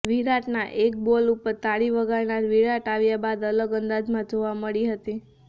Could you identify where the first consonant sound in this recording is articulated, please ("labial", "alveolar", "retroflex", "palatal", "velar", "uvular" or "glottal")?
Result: labial